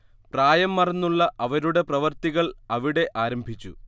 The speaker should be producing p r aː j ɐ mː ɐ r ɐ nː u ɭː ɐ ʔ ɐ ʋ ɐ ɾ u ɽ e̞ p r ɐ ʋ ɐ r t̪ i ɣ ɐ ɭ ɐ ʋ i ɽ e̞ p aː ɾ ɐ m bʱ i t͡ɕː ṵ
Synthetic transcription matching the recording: p r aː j ɐ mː ɐ r ɐ nː u ɭː ɐ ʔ ɐ ʋ ɐ ɾ u ɽ e̞ p r ɐ ʋ ɐ r t̪ i ɣ ɐ ɭ ɐ ʋ i ɽ e̞ ʔ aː ɾ ɐ m bʱ i t͡ɕː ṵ